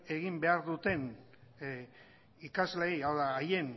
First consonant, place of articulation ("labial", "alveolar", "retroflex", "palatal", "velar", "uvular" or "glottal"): velar